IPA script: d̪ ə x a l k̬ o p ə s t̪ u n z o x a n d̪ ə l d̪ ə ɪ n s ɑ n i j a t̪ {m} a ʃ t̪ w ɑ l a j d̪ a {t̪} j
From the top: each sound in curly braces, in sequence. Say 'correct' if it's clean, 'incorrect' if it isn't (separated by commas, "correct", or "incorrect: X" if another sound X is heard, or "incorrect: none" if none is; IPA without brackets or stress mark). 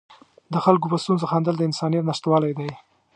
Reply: incorrect: n, incorrect: none